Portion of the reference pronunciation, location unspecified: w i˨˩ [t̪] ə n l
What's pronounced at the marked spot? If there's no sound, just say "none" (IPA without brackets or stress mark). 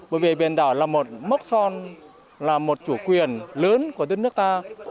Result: none